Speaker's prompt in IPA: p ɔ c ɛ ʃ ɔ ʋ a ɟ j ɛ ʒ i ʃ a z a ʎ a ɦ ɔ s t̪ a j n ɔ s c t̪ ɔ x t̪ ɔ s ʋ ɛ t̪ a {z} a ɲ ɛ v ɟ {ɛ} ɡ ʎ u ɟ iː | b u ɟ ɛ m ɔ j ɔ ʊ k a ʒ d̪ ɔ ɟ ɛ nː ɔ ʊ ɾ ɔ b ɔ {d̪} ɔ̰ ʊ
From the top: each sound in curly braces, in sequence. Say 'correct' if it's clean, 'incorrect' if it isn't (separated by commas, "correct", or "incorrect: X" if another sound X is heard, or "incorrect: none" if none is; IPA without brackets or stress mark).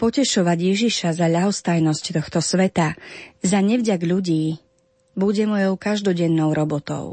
correct, incorrect: a, incorrect: t̪